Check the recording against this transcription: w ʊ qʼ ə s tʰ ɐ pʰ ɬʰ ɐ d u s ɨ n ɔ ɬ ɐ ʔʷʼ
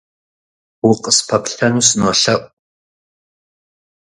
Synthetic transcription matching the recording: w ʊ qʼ ə s pʰ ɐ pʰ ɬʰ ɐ n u s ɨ n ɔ ɬ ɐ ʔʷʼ